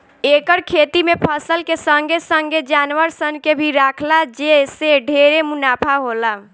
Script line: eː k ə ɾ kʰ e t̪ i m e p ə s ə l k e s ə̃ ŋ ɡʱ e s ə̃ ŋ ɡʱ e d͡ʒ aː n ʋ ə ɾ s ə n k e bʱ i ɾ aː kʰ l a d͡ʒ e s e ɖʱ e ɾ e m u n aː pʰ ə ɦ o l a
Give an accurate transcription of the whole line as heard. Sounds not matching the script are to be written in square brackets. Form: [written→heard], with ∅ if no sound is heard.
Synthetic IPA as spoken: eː k ə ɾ kʰ e t̪ i m e [p→pʰ] ə s ə l k e s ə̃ ŋ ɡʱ e s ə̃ ŋ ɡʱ e d͡ʒ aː n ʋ ə ɾ s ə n k e bʱ i ɾ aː kʰ l a d͡ʒ e s e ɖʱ e ɾ e m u n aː pʰ [ə→a] ɦ o l a